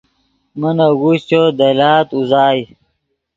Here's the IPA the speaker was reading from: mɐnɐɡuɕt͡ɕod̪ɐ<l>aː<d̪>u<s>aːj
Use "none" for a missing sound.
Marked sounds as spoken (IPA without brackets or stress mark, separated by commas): l, t̪, z